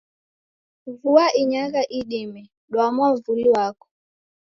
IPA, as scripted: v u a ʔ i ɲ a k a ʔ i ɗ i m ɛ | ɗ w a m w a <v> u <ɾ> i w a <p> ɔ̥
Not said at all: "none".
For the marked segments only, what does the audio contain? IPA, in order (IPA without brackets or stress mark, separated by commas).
v, l, k